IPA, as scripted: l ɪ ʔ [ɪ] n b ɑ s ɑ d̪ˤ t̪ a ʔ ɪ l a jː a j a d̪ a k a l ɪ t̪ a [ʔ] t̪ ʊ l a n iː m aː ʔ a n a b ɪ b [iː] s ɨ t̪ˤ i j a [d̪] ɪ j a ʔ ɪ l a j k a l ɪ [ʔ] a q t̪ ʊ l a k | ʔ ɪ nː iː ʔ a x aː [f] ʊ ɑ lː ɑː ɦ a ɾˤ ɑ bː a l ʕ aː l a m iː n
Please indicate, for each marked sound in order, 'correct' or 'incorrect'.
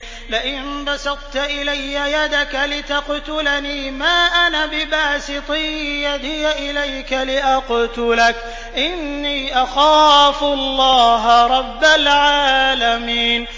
correct, incorrect: q, incorrect: aː, correct, correct, correct

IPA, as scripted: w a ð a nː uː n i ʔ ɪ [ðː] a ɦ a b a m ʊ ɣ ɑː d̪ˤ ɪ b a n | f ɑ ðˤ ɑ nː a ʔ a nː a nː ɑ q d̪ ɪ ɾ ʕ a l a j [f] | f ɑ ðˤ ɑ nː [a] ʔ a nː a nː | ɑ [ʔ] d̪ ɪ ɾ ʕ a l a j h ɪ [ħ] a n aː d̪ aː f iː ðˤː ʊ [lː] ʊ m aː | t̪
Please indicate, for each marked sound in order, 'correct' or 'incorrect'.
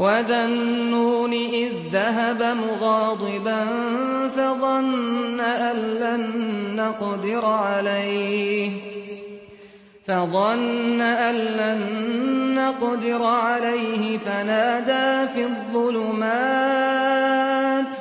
correct, incorrect: h, correct, incorrect: q, incorrect: f, incorrect: l

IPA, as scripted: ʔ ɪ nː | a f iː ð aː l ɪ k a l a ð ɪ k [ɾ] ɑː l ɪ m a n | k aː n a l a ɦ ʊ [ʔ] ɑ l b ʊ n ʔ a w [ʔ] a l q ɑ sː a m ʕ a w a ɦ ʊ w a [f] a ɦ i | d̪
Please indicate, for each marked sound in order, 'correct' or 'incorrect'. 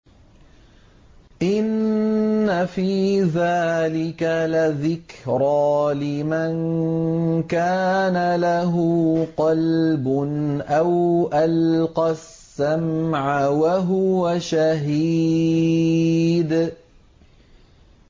correct, incorrect: q, correct, incorrect: ʃ

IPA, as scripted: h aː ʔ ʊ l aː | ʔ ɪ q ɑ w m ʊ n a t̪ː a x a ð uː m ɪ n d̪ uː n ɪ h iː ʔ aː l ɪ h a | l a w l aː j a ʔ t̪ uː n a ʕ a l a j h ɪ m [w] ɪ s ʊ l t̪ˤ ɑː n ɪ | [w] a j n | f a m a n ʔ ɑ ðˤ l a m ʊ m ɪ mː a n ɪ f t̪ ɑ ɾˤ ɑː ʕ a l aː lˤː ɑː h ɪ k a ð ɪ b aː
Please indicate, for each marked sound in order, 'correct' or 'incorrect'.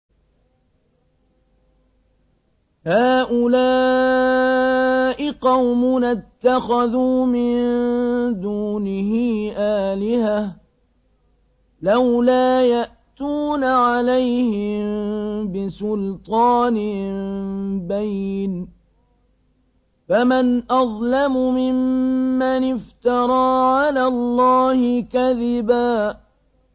incorrect: b, incorrect: b

